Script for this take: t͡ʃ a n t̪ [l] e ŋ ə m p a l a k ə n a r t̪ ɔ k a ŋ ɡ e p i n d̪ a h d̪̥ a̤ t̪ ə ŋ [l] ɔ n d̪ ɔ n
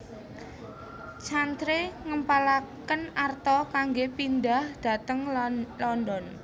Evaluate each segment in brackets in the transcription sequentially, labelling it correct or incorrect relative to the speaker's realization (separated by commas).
incorrect, correct